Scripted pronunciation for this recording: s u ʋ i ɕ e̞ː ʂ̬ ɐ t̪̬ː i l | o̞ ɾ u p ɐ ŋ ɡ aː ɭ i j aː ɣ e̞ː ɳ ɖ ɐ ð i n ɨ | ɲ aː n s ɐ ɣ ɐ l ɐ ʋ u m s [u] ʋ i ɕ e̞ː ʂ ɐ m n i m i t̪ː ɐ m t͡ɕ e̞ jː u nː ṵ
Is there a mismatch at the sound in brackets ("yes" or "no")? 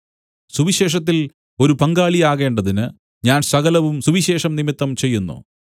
no